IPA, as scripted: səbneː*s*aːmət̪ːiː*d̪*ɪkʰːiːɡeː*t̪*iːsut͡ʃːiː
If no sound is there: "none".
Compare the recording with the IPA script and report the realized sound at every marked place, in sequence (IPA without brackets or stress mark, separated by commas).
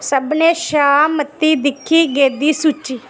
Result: ʃ, d̪, d̪